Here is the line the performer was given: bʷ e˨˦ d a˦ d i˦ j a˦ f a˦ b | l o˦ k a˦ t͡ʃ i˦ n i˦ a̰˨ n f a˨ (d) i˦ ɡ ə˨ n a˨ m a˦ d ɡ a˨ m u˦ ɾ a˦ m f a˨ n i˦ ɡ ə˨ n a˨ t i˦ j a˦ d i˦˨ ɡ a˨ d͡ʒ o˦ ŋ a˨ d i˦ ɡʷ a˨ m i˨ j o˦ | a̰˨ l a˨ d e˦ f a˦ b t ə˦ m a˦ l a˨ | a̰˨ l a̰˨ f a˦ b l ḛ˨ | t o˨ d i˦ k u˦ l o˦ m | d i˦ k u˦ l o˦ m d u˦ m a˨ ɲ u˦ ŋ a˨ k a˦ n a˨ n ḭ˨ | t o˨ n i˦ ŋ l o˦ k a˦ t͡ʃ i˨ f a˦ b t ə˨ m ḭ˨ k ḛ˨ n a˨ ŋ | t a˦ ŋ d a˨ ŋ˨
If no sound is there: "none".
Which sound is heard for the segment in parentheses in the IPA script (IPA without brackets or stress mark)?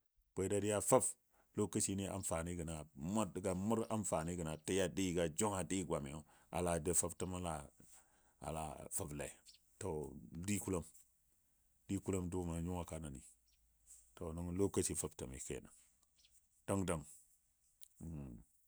n